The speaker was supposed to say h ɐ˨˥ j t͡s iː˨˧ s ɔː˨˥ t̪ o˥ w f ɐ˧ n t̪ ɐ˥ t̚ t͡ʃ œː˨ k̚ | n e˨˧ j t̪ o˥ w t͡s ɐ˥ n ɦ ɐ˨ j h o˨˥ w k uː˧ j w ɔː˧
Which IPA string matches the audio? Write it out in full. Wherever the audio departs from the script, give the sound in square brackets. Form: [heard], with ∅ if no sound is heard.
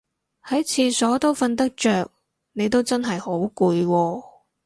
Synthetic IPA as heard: h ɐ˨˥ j [t͡sʰ] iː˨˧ s ɔː˨˥ t̪ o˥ w f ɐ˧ n t̪ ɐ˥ [k̚] t͡ʃ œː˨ k̚ | n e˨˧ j t̪ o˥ w t͡s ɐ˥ n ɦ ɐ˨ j h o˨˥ w k uː˧ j w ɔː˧